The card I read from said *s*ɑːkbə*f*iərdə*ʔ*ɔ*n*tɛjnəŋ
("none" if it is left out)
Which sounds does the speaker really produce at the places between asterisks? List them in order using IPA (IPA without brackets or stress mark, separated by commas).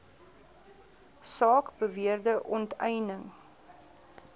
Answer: s, v, ʔ, n